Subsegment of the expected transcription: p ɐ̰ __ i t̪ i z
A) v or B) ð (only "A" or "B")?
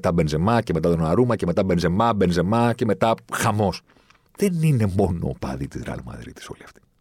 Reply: B